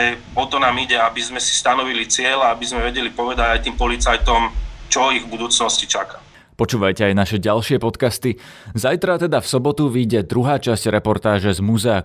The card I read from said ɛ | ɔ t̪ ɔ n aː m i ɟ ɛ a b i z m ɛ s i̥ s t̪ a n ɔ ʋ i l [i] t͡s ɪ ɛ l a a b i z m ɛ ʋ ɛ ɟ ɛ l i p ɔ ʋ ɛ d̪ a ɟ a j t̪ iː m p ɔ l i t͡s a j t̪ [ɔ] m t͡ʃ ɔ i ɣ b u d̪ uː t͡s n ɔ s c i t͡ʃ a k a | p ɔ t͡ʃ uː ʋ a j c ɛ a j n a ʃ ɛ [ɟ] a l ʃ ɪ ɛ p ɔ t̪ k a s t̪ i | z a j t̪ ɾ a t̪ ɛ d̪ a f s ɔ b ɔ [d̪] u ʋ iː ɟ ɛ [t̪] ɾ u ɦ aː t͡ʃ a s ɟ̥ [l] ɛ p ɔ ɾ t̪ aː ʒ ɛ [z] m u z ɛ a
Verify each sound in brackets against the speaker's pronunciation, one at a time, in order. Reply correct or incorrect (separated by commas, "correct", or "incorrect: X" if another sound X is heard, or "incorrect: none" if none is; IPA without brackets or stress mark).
correct, correct, correct, incorrect: t̪, incorrect: d̪, incorrect: ɾ, correct